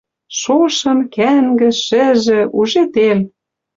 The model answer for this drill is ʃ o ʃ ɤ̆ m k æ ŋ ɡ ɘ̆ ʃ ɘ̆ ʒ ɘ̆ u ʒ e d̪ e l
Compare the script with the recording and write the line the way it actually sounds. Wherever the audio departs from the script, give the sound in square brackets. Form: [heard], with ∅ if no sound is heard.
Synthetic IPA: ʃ o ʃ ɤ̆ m k æ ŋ ɡ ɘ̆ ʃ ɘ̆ ʒ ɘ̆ u ʒ e [t̪] e l